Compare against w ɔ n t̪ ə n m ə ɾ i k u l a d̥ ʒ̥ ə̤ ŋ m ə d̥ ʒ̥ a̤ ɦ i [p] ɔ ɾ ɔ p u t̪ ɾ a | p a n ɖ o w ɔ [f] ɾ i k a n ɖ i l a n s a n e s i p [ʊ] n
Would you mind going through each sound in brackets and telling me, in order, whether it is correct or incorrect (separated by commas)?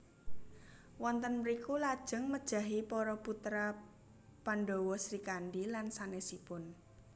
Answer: correct, incorrect, correct